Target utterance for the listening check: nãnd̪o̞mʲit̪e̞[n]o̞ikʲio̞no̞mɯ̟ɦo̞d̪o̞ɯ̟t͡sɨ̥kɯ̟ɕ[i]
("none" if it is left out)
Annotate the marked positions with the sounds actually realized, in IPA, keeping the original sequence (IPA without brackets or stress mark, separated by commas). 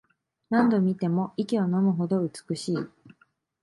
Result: m, iː